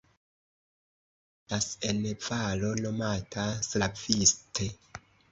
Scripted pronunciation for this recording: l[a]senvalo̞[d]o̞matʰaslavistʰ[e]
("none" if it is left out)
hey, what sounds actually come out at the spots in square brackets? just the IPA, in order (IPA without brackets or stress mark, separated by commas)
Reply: a, n, e